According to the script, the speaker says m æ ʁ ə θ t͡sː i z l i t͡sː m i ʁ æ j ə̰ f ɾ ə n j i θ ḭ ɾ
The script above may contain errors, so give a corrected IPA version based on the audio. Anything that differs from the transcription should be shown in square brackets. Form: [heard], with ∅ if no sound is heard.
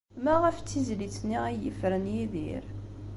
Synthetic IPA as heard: m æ ʁ ə [f] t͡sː i z l i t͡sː [n] i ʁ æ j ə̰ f ɾ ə n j i [ð] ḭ ɾ